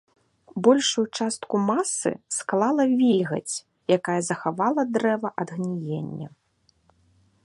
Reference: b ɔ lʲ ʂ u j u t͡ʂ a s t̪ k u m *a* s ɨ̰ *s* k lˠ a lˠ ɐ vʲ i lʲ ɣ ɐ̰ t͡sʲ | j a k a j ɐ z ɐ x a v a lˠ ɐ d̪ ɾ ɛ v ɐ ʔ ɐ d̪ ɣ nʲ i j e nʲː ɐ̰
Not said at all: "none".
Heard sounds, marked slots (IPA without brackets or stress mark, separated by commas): a, s